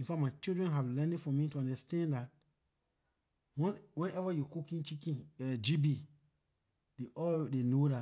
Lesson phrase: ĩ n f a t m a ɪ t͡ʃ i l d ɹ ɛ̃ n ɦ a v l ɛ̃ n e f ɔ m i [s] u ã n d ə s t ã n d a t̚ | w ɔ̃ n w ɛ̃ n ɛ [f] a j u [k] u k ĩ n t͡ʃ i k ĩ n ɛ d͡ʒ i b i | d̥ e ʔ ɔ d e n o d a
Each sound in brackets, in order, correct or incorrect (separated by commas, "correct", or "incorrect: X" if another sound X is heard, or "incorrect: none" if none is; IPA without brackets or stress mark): incorrect: t, incorrect: v, correct